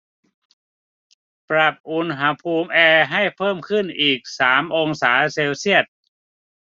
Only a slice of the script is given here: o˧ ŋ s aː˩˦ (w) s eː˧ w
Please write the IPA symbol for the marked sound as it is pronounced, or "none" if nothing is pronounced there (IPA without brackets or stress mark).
none